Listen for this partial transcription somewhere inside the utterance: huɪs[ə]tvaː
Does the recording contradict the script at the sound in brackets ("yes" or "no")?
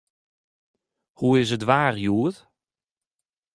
no